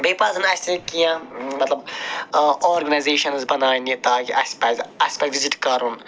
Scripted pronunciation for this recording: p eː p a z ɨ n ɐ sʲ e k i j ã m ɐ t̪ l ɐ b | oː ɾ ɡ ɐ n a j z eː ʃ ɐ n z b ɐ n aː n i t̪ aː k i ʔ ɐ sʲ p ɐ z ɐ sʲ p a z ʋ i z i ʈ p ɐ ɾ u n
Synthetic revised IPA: b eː p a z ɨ n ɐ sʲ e k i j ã m ɐ t̪ l ɐ b | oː ɾ ɡ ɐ n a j z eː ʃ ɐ n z b ɐ n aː n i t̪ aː k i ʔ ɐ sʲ p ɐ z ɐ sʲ p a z ʋ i z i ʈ k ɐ ɾ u n